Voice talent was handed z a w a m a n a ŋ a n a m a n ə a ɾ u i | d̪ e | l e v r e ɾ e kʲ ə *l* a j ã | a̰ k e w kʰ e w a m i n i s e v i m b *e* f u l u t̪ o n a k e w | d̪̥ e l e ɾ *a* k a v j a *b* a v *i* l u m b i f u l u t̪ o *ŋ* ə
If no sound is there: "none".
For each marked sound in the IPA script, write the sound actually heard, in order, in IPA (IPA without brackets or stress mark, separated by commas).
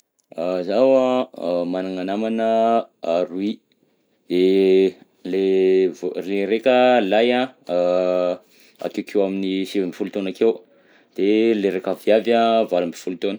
l, i, e, v, a, n